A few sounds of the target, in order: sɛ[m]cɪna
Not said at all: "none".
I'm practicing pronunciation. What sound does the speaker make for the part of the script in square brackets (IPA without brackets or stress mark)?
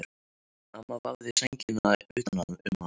ɲ